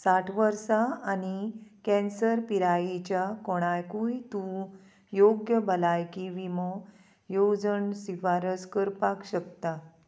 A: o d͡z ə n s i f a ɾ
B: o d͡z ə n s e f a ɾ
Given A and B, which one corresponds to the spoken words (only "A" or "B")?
A